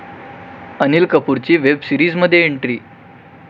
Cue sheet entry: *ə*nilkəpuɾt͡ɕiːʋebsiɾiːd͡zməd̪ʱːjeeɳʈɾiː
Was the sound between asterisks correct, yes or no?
yes